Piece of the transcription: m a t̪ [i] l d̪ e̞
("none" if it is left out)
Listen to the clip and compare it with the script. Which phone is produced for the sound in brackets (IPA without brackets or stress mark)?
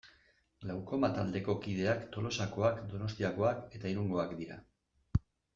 a